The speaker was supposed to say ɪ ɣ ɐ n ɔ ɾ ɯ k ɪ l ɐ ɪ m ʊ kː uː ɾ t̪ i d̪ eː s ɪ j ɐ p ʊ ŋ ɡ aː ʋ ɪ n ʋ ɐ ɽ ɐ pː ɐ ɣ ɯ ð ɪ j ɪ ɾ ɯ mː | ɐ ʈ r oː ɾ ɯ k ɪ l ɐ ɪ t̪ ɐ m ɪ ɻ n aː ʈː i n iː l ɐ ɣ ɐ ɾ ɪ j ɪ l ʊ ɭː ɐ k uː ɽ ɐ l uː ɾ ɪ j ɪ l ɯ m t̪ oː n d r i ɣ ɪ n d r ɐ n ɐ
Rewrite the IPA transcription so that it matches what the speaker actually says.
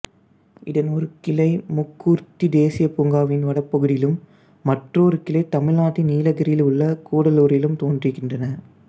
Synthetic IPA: ɪ ð ɐ n ɔ ɾ ɯ k ɪ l ɐ ɪ m ʊ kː uː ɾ t̪ i d̪ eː s ɪ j ɐ p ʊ ŋ ɡ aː ʋ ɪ n ʋ ɐ ɽ ɐ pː ɐ ɣ ɯ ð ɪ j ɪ l ɯ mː | ɐ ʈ r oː ɾ ɯ k ɪ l ɐ ɪ t̪ ɐ m ɪ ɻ n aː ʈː i n iː l ɐ ɣ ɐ ɾ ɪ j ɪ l ʊ ɭː ɐ k uː ɽ ɐ l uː ɾ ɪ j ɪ l ɯ m t̪ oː n d r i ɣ ɪ n d r ɐ n ɐ

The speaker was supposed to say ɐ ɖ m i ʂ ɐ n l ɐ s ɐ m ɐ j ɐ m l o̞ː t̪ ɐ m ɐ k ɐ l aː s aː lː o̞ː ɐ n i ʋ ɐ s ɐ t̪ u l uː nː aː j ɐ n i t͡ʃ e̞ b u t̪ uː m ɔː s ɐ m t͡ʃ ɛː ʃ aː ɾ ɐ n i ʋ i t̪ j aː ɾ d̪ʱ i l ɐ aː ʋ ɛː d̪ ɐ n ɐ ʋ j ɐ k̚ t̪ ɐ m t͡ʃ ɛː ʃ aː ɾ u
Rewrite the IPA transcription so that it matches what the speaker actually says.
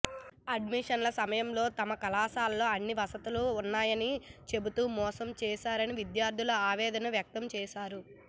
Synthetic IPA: ɐ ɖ m i ʂ ɐ n l ɐ s ɐ m ɐ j ɐ m l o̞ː t̪ ɐ m ɐ k ɐ l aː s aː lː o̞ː ɐ nː i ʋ ɐ s ɐ t̪ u l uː nː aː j ɐ n i t͡ʃ e̞ b u t̪ uː m ɔː s ɐ m t͡ʃ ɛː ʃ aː ɾ ɐ n i ʋ i d̪ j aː ɾ d̪ʱ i l ɐ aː ʋ ɛː d̪ ɐ n ɐ ʋ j ɐ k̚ t̪ ɐ m t͡ʃ ɛː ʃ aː ɾ u

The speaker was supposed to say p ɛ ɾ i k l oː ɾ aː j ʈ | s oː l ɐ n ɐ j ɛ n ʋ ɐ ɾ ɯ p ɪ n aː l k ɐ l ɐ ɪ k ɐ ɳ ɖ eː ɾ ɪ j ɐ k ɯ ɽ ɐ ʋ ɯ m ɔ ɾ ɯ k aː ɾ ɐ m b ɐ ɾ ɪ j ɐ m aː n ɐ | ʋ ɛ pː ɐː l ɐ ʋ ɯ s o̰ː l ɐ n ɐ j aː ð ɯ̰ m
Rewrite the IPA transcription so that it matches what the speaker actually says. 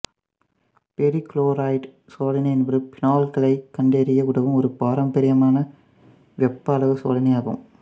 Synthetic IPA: p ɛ ɾ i k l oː ɾ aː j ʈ | s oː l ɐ n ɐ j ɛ n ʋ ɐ ɾ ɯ p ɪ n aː l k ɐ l ɐ ɪ k ɐ ɳ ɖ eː ɾ ɪ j ɐ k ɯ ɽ ɐ ʋ ɯ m ɔ ɾ ɯ p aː ɾ ɐ m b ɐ ɾ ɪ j ɐ m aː n ɐ | ʋ ɛ pː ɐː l ɐ ʋ ɯ s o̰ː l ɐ n ɐ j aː ɣ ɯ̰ m

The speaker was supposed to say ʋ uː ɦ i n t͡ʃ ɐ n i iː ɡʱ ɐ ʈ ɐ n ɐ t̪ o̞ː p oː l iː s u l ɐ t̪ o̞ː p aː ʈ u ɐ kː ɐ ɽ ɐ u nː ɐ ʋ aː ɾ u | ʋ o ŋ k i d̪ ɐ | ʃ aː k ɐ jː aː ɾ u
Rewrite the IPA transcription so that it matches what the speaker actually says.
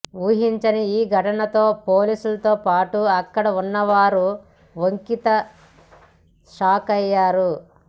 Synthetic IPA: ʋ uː ɦ i ɲ t͡ʃ ɐ n i iː ɡʱ ɐ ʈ ɐ n ɐ t̪ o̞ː p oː l iː s u l ɐ t̪ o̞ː p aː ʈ u ɐ kː ɐ ɽ ɐ u nː ɐ ʋ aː ɾ u | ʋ o ŋ k i t̪ ɐ | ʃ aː k ɐ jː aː ɾ u

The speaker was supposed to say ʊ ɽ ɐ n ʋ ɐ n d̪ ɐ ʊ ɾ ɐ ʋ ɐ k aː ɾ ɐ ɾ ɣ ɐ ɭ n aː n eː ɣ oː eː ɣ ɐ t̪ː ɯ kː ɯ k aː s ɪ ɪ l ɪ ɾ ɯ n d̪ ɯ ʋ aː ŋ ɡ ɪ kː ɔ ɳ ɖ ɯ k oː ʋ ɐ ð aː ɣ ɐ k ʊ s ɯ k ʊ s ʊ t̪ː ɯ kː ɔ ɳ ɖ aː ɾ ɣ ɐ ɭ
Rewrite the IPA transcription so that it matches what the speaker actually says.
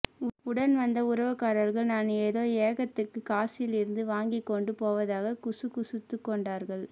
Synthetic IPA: ʊ ɽ ɐ n ʋ ɐ n d̪ ɐ ʊ ɾ ɐ ʋ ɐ k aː ɾ ɐ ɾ ɣ ɐ ɭ n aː n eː ð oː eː ɣ ɐ t̪ː ɯ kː ɯ k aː s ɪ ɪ l ɪ ɾ ɯ n d̪ ɯ ʋ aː ŋ ɡ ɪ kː ɔ ɳ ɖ ɯ p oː ʋ ɐ ð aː ɣ ɐ k ʊ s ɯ k ʊ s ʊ t̪ː ɯ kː ɔ ɳ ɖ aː ɾ ɣ ɐ ɭ

